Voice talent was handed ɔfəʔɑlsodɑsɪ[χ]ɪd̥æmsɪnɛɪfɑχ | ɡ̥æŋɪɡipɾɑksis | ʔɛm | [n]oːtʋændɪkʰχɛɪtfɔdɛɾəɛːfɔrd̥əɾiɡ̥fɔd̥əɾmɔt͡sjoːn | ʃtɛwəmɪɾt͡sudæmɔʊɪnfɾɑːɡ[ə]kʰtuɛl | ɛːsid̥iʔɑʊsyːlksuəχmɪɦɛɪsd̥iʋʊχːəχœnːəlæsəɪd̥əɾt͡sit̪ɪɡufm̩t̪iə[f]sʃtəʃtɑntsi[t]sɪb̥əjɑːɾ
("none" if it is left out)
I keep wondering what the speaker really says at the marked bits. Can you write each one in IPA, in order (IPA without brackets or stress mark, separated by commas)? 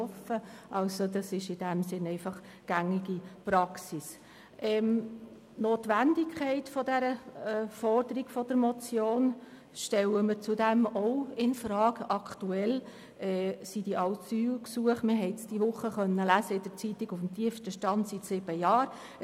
ʃ, n, ɑ, f, t